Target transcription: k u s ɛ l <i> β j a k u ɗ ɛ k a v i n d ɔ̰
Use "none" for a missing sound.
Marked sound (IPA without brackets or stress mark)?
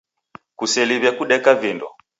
i